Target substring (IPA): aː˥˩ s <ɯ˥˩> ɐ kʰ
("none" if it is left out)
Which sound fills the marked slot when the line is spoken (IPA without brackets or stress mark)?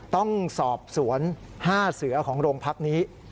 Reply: ɯ˩˦